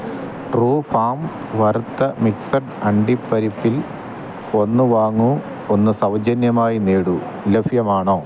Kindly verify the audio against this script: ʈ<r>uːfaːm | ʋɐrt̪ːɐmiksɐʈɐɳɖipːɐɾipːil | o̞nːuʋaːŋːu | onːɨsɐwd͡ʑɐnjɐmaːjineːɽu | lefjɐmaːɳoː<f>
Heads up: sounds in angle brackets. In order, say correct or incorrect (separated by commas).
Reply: correct, incorrect